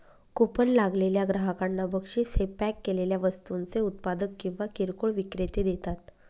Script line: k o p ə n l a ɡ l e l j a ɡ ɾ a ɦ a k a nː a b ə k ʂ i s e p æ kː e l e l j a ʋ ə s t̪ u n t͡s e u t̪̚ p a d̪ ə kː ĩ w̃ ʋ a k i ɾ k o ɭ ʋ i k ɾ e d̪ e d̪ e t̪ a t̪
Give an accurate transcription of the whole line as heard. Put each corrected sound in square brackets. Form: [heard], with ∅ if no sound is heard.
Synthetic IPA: k o p ə n l a ɡ l e l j a ɡ ɾ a ɦ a k a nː a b ə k ʂ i s e p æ kː e l e l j a ʋ ə s t̪ u n t͡s e u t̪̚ p a d̪ ə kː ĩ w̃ ʋ a k i ɾ k o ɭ ʋ i k ɾ e [t̪] e d̪ e t̪ a t̪